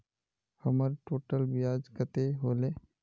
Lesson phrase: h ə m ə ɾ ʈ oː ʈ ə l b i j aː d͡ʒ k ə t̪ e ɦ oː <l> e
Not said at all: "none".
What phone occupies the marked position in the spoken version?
l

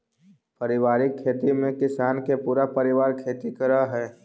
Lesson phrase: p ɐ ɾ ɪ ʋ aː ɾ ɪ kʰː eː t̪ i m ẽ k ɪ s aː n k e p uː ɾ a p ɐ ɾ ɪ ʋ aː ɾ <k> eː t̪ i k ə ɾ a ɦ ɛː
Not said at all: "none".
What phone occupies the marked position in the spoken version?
kʰ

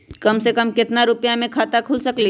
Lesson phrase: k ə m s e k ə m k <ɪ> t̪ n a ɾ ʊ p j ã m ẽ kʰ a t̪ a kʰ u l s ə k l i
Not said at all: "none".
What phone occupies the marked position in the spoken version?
ɪ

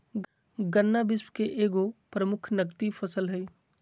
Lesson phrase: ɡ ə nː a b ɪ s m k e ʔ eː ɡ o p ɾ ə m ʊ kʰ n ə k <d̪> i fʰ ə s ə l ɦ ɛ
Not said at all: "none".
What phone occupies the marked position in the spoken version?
t̪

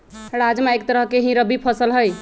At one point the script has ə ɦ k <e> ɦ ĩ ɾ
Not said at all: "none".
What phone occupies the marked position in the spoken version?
e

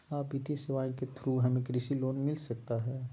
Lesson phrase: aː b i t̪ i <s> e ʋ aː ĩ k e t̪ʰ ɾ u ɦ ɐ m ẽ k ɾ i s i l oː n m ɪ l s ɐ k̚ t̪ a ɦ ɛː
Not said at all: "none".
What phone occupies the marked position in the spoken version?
s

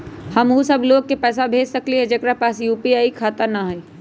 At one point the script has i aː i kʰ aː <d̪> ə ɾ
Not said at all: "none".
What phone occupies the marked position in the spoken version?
t̪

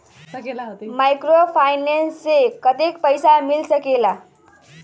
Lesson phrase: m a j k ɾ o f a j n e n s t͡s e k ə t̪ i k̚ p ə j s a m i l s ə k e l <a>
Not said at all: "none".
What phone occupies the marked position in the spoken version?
a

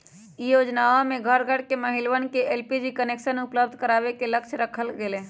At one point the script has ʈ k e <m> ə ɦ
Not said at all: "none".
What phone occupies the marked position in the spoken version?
m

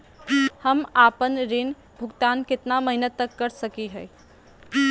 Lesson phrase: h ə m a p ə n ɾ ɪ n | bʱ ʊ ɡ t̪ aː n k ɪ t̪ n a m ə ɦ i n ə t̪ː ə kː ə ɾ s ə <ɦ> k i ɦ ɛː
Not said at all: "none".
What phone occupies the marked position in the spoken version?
none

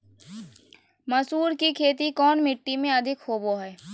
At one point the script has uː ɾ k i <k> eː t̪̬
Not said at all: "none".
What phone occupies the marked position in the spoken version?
kʰ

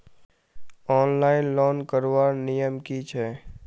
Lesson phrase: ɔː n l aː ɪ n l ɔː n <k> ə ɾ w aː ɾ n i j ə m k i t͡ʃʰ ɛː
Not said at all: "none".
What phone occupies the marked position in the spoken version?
k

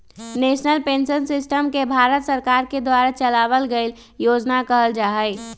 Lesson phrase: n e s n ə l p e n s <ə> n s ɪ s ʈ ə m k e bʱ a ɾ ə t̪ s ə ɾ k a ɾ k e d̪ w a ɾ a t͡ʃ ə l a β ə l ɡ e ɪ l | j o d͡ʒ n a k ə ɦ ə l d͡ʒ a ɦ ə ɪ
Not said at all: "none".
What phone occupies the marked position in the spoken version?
ə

